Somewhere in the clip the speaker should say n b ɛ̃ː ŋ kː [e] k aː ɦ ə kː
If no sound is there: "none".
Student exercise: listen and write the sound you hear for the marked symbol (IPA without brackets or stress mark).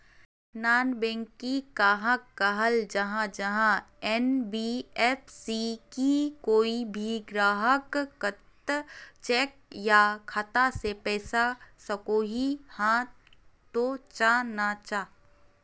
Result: i